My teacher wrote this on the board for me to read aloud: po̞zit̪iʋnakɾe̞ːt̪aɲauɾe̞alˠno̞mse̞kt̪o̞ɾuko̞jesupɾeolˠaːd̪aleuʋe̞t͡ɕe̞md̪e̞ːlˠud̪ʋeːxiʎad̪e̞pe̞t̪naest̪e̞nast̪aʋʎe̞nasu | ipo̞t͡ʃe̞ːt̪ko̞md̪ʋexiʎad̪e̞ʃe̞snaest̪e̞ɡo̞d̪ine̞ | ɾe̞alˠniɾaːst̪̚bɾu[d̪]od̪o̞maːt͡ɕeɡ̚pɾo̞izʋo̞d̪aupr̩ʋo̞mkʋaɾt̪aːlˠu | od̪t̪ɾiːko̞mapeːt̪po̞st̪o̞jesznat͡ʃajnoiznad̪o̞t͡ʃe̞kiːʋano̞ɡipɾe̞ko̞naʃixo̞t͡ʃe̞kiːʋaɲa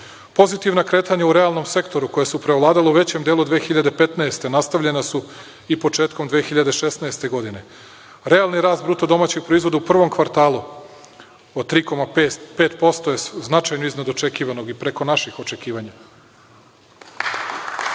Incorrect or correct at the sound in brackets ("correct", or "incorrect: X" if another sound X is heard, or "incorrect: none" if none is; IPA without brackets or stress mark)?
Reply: incorrect: t̪